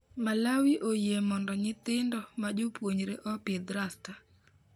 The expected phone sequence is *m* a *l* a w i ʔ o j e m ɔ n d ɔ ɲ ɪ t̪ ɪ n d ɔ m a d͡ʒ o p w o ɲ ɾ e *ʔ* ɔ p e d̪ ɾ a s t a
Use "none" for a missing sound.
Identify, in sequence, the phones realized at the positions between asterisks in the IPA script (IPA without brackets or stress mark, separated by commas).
m, l, ʔ